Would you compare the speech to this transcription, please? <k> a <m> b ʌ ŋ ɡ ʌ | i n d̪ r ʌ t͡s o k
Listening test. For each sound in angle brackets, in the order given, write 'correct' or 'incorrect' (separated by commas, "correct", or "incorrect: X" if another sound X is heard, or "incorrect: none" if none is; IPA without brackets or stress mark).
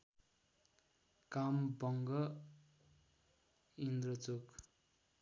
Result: correct, correct